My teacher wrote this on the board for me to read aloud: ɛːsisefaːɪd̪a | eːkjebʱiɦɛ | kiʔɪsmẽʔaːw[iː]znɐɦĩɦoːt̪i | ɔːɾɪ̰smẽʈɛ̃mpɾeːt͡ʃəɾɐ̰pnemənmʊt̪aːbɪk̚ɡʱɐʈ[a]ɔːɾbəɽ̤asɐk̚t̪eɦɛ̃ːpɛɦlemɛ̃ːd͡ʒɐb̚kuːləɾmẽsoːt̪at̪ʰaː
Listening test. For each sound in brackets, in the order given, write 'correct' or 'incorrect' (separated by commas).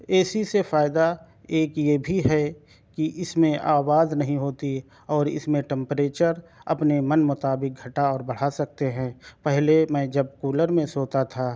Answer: incorrect, correct